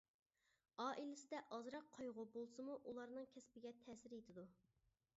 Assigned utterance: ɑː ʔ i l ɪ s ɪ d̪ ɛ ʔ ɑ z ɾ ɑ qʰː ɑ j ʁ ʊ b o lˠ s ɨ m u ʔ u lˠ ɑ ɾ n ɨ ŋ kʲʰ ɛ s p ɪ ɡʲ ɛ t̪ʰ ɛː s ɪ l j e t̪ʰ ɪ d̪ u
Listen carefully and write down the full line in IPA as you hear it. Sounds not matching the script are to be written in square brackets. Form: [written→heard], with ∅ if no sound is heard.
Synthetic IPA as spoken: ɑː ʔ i l ɪ s ɪ d̪ ɛ ʔ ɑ z ɾ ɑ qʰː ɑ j ʁ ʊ b o lˠ s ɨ m u ʔ u lˠ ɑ ɾ n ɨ ŋ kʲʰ ɛ s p ɪ ɡʲ ɛ t̪ʰ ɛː s ɪ [l→ɾ] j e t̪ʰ ɪ d̪ u